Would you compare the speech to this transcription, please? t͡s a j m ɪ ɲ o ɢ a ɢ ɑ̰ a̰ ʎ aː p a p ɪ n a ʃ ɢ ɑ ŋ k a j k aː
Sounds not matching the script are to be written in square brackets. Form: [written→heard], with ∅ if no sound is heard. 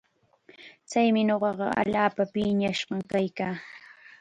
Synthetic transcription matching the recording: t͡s a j m ɪ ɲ o ɢ [a→ɑ] ɢ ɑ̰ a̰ ʎ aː p a p ɪ [n→ɲ] a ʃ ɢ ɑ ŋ k a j k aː